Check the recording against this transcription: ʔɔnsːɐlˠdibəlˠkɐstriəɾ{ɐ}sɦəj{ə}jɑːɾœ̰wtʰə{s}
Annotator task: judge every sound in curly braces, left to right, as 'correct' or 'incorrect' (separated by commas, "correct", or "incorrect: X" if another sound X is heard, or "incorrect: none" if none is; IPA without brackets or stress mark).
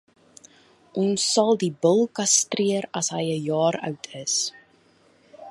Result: correct, correct, correct